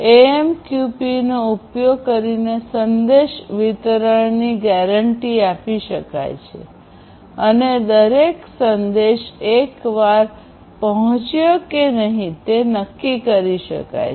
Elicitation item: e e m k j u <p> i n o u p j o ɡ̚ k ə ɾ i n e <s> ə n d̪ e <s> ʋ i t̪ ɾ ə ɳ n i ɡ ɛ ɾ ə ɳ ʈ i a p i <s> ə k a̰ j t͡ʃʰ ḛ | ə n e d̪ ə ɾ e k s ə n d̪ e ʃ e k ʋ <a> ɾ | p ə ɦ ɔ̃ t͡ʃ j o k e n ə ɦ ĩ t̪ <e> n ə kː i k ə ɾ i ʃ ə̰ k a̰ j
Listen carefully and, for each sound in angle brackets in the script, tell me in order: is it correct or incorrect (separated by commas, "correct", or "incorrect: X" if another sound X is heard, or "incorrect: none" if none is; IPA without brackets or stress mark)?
correct, correct, incorrect: ʃ, incorrect: ʃ, correct, correct